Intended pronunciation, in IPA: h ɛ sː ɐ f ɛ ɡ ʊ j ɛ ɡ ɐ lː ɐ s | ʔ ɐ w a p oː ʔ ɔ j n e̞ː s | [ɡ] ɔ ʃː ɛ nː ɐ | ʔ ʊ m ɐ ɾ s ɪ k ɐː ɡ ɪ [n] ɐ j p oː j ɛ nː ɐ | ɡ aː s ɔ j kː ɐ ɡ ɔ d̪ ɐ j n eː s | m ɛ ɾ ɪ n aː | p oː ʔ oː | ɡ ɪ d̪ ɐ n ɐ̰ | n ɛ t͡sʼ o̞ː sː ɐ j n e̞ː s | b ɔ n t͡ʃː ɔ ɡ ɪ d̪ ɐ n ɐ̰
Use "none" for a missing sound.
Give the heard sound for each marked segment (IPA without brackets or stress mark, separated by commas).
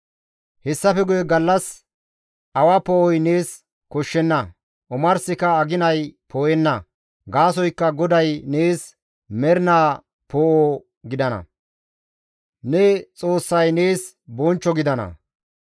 k, n